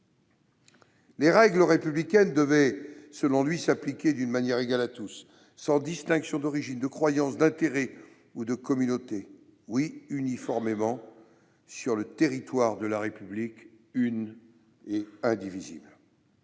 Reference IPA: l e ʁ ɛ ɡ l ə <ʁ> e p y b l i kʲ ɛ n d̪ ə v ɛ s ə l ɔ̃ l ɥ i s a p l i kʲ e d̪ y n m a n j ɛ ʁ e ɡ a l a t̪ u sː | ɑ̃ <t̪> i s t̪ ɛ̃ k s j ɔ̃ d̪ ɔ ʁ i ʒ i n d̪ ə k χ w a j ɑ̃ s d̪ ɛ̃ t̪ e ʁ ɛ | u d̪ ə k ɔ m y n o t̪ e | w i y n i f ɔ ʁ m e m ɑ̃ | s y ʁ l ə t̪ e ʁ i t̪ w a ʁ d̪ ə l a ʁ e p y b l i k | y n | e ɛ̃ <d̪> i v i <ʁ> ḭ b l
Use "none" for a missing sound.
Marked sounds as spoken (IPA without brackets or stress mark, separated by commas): ʁ, d̪, d̪, z